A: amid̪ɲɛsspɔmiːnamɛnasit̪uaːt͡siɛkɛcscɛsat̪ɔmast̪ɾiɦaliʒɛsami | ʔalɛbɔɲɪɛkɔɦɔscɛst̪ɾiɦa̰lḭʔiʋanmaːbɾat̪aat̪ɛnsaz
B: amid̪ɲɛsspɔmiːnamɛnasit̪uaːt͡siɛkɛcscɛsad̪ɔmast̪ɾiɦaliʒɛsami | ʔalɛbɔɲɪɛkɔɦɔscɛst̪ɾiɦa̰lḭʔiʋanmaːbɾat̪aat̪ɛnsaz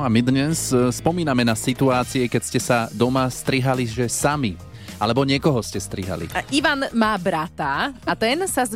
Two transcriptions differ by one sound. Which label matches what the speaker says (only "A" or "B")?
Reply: B